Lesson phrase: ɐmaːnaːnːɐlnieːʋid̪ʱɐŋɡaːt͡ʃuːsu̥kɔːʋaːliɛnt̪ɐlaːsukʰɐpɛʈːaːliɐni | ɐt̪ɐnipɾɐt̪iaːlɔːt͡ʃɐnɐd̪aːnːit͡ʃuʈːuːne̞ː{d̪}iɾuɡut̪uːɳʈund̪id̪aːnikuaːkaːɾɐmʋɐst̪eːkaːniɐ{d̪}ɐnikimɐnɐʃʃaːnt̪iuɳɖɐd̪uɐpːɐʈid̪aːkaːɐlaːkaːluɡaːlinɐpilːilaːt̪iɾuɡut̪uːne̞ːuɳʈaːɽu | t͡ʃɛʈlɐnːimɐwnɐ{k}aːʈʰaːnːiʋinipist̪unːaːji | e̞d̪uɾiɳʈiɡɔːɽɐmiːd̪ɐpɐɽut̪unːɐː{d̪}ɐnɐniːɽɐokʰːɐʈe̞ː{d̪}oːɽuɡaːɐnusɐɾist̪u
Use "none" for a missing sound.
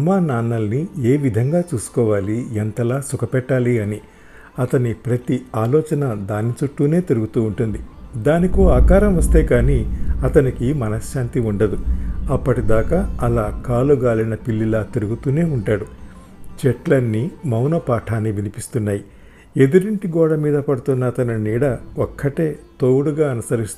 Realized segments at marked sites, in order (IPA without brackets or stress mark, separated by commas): t̪, t̪, p, t̪, t̪